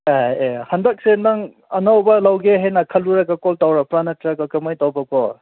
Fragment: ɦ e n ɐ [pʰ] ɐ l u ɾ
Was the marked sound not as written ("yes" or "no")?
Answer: yes